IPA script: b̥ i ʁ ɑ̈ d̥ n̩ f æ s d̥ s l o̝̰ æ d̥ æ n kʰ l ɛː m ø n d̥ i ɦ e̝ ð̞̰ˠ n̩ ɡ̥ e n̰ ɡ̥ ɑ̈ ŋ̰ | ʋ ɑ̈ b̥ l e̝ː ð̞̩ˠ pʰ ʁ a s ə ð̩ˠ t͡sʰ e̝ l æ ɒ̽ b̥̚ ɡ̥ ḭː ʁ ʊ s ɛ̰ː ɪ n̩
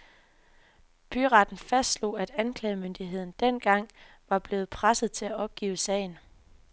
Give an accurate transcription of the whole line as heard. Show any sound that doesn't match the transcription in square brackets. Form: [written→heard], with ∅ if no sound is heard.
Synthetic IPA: b̥ [i→y] ʁ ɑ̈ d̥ n̩ f æ s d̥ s l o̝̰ æ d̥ æ n kʰ l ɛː m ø n d̥ i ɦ e̝ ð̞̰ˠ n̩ [ɡ̥→d̥] e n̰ ɡ̥ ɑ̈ ŋ̰ | ʋ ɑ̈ b̥ l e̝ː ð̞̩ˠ pʰ ʁ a s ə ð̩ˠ t͡sʰ e̝ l æ ɒ̽ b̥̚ ɡ̥ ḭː [ʁ→∅] ʊ s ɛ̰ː ɪ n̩